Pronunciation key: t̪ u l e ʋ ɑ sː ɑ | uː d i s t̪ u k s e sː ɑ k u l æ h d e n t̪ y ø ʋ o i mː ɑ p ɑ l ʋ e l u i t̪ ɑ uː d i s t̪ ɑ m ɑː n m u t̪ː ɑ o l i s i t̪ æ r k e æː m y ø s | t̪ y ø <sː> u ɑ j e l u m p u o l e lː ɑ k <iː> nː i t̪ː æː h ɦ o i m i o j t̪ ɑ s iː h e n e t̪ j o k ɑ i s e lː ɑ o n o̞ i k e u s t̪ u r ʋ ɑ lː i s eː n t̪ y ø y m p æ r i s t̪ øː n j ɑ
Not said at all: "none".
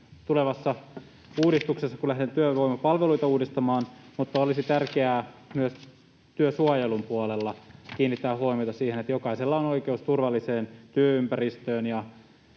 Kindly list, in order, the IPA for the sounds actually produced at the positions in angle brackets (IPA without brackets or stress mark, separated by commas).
s, iː